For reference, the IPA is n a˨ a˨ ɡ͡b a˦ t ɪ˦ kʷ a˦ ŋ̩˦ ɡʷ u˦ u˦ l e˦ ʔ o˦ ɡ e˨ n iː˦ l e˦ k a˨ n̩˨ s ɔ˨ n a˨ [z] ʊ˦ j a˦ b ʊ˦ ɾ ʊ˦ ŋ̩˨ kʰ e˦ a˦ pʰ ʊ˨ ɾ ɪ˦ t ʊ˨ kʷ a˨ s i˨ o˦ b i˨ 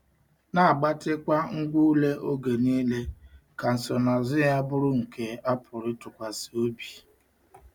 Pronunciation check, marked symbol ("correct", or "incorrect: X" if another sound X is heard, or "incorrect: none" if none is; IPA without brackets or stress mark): correct